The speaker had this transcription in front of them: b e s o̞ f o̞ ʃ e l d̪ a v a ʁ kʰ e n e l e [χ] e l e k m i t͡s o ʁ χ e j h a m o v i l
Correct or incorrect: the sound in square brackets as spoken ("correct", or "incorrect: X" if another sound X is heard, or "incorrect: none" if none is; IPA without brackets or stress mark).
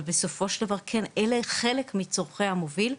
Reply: correct